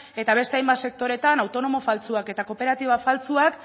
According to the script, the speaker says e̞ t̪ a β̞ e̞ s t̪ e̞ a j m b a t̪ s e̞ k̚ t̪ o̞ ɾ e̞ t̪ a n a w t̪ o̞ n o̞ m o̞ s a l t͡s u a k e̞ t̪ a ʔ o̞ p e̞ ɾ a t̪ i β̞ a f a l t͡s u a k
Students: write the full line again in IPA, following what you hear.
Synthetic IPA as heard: e̞ t̪ a β̞ e̞ s t̪ e̞ a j m b a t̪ s e̞ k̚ t̪ o̞ ɾ e̞ t̪ a n a w t̪ o̞ n o̞ m o̞ f a l t͡s u a k e̞ t̪ a k o̞ p e̞ ɾ a t̪ i β̞ a f a l t͡s u a k